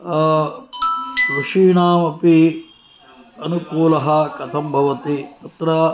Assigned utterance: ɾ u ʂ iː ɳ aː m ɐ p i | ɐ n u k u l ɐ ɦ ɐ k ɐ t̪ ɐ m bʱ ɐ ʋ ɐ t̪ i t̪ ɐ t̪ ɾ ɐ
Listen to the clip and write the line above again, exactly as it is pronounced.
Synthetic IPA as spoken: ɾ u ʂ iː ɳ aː m ɐ p i | ɐ n u k uː l ɐ ɦ ɐ k ɐ t̪ʰ ɐ m bʱ ɐ ʋ ɐ t̪ i t̪ ɐ t̪ ɾ ɐ